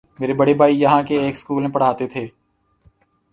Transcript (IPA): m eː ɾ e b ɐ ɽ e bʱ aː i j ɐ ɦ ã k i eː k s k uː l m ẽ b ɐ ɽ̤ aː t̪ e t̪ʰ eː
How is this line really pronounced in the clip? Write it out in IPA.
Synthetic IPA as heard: m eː ɾ e b ɐ ɽ e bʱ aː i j ɐ ɦ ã k e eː k s k uː l m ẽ p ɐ ɽ̤ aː t̪ e t̪ʰ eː